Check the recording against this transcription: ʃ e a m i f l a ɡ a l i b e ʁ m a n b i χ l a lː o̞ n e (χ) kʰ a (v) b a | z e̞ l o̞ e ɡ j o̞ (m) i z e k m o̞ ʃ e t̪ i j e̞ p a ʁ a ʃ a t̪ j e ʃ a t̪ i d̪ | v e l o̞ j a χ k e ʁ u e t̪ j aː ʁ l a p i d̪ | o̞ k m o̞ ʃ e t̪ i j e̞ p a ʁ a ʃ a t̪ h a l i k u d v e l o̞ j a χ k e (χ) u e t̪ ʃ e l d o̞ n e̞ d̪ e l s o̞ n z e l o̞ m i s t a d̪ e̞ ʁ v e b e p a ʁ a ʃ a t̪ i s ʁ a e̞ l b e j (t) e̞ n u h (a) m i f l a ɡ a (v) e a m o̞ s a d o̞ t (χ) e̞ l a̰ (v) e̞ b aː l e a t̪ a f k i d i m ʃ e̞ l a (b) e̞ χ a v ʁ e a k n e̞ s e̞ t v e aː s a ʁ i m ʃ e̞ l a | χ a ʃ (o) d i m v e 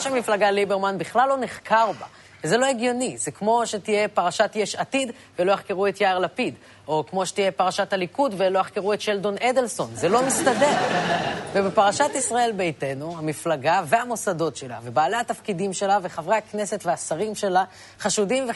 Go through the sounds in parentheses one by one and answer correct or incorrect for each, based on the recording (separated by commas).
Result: correct, incorrect, incorrect, incorrect, correct, correct, correct, incorrect, correct, incorrect, incorrect